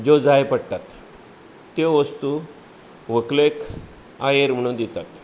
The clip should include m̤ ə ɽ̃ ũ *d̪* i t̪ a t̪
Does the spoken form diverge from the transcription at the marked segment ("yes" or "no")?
no